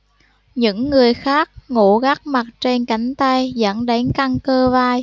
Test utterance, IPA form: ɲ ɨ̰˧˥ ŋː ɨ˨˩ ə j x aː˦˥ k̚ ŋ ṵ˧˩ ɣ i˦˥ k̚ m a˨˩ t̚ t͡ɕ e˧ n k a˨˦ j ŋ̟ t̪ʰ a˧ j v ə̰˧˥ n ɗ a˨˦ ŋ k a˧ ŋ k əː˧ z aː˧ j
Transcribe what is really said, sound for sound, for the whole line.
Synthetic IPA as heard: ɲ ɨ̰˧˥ ŋː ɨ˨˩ ə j x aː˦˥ k̚ ŋ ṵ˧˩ ɣ a˦˥ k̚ m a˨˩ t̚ t͡ɕ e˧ n k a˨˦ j ŋ̟ t̪ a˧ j z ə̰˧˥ n ɗ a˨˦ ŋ k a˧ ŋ k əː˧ v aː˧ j